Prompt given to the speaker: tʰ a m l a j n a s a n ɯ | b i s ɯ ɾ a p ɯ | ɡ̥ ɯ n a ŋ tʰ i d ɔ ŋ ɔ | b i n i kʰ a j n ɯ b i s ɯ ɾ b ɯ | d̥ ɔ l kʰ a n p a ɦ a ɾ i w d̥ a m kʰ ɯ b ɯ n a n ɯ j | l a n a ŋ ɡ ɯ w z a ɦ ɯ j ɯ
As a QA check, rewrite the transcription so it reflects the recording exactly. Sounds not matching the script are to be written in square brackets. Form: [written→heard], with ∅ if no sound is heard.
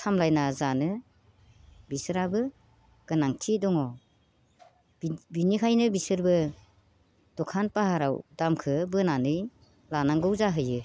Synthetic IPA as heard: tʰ a m l a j n a [s→z] a n ɯ | b i s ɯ ɾ a [p→b] ɯ | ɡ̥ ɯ n a ŋ tʰ i d ɔ ŋ ɔ | b i n i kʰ a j n ɯ b i s ɯ ɾ b ɯ | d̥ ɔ [l→∅] kʰ a n p a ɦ a ɾ [i→a] w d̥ a m kʰ ɯ b ɯ n a n ɯ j | l a n a ŋ ɡ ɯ w z a ɦ ɯ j ɯ